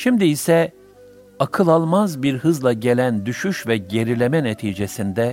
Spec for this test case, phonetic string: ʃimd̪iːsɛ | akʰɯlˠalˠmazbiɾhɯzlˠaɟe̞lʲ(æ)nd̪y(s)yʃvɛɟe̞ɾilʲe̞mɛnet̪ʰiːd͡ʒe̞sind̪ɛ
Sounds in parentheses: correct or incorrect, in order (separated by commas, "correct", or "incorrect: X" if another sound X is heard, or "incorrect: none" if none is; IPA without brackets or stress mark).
correct, incorrect: ʃ